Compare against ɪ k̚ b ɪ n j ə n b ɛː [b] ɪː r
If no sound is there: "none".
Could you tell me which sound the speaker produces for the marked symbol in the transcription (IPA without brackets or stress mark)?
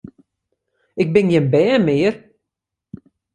m